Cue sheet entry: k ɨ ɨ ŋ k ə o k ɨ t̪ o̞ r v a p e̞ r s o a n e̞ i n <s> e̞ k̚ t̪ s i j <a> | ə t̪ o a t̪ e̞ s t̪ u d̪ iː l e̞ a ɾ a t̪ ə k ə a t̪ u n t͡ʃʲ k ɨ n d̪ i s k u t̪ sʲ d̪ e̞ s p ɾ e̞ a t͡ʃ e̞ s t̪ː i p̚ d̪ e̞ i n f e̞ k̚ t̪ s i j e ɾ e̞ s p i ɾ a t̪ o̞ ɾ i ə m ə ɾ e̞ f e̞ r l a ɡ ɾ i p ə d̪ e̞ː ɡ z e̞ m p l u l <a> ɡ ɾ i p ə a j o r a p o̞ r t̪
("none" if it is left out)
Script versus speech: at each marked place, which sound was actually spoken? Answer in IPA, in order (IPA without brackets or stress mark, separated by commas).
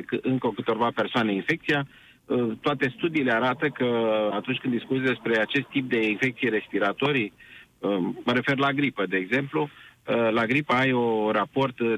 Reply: f, a, a